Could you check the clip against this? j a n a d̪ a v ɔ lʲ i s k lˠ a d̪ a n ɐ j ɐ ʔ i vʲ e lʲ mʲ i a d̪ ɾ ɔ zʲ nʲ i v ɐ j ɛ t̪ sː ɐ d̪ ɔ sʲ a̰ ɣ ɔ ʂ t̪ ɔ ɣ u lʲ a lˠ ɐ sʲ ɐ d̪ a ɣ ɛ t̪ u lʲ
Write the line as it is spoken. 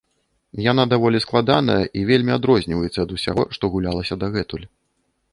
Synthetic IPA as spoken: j a n a d̪ a v ɔ lʲ i s k lˠ a d̪ a n ɐ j ɐ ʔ i vʲ e lʲ mʲ i a d̪ ɾ ɔ zʲ nʲ i v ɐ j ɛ t̪ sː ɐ d̪ u sʲ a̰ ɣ ɔ ʂ t̪ ɔ ɣ u lʲ a lˠ ɐ sʲ ɐ d̪ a ɣ ɛ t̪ u lʲ